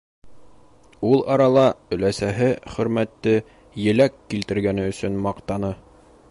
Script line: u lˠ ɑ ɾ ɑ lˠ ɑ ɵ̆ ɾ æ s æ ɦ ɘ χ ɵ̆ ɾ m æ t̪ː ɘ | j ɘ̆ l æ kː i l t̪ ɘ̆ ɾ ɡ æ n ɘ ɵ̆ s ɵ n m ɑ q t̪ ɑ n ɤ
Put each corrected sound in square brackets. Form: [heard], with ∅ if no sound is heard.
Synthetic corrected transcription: u lˠ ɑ ɾ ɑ lˠ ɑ ɵ̆ [l] æ s æ ɦ ɘ χ ɵ̆ ɾ m æ t̪ː ɘ | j ɘ̆ l æ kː i l t̪ ɘ̆ ɾ ɡ æ n ɘ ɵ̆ s ɵ n m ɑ q t̪ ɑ n ɤ